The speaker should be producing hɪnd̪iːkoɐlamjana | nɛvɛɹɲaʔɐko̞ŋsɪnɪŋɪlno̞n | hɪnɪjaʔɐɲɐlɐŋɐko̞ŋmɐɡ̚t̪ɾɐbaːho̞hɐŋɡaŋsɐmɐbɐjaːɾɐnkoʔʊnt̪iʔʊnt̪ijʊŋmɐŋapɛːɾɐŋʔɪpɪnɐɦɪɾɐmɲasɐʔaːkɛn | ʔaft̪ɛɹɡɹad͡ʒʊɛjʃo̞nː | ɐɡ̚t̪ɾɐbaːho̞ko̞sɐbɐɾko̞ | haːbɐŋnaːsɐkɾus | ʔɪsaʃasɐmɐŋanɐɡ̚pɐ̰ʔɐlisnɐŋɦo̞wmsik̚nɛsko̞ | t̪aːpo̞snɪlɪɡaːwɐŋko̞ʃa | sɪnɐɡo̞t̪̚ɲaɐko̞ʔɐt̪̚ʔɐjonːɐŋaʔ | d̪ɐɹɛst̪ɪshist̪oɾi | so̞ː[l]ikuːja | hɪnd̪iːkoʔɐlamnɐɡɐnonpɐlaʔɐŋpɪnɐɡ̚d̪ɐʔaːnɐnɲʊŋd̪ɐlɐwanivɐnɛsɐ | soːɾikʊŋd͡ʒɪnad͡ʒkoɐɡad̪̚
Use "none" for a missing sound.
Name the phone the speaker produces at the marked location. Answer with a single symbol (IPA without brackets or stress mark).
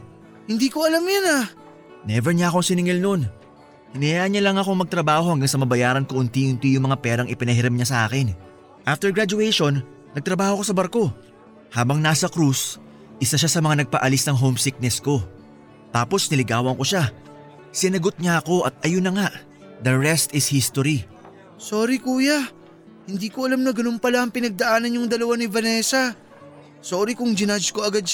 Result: ɾ